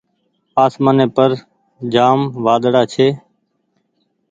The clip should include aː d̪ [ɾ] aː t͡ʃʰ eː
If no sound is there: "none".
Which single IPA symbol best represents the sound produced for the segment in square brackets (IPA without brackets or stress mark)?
ɽ